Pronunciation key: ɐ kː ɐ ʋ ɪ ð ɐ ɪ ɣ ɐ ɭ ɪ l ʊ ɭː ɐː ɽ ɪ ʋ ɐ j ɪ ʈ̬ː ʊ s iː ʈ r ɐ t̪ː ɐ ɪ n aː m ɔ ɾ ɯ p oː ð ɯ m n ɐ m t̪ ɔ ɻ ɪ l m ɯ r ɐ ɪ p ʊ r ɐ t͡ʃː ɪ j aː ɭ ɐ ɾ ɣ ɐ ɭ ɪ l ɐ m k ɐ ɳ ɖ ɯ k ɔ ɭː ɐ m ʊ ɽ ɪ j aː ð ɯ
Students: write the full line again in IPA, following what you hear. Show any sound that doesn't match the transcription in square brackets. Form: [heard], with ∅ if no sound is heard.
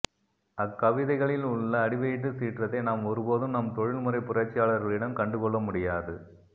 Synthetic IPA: ɐ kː ɐ ʋ ɪ ð ɐ ɪ ɣ ɐ ɭ ɪ l ʊ ɭː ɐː ɽ ɪ ʋ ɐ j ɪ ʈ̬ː [ɯ] s iː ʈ r ɐ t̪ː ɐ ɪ n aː m ɔ ɾ ɯ p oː ð ɯ m n ɐ m t̪ ɔ ɻ ɪ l m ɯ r ɐ ɪ p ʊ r ɐ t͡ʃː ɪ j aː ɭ ɐ ɾ ɣ ɐ ɭ ɪ [ɽ] ɐ m k ɐ ɳ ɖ ɯ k ɔ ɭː ɐ m ʊ ɽ ɪ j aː ð ɯ